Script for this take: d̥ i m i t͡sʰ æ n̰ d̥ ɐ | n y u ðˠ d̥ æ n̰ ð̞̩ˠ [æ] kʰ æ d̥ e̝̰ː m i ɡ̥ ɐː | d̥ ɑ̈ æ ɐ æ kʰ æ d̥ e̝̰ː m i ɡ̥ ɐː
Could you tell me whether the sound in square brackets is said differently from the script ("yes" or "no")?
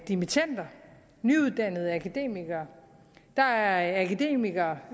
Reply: no